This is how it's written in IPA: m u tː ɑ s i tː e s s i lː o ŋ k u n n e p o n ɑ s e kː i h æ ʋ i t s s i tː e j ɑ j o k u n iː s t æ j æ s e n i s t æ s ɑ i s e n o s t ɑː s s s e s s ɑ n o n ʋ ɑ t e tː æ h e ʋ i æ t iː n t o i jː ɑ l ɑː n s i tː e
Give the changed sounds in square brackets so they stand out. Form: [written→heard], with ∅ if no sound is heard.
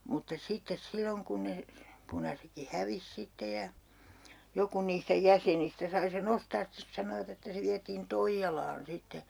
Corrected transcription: m u tː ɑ s i tː e s s i lː o ŋ k u n n e p [o→u] n ɑ s e kː i h æ ʋ i [t→∅] s s i tː e j ɑ j o k u n iː s t æ j æ s e n i s t æ s ɑ i s e n o s t ɑː s s [s→t] e s s ɑ n o [n→∅] ʋ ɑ t e tː æ [h→s] e ʋ i æ t iː n t o i jː ɑ l ɑː n s i tː e